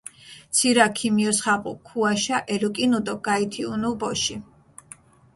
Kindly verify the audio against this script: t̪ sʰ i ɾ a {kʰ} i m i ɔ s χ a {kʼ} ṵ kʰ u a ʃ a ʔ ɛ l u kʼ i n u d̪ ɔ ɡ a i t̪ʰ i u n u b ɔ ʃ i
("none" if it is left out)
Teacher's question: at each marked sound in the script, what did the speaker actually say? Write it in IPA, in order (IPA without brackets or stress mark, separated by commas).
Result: kʰ, qʼ